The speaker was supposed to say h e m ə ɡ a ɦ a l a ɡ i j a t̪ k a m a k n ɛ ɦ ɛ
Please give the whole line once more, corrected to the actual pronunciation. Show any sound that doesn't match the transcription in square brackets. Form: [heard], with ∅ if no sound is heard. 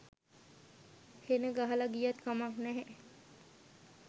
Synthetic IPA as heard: h e [n] ə ɡ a ɦ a l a ɡ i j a t̪ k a m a k n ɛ ɦ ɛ